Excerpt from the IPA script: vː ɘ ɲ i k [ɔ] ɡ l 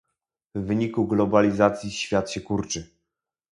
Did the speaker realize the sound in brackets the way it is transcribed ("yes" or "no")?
no